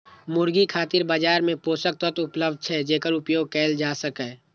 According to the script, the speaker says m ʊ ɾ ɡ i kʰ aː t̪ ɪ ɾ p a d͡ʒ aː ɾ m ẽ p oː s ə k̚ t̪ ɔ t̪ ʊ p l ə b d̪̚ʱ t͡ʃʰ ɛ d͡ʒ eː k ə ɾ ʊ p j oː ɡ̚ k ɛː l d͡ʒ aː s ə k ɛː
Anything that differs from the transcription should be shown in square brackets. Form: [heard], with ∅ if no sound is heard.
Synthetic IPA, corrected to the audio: m ʊ ɾ ɡ i kʰ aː t̪ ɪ ɾ [b] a d͡ʒ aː ɾ m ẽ p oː s ə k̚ t̪ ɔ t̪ ʊ p l ə b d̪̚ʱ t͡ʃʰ ɛ d͡ʒ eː k ə ɾ ʊ p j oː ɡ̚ k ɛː l d͡ʒ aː s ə k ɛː